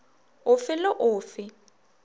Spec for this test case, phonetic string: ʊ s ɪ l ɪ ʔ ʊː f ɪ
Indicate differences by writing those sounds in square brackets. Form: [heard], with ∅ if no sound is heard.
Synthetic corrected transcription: ʊ [f] ɪ l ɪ ʔ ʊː f ɪ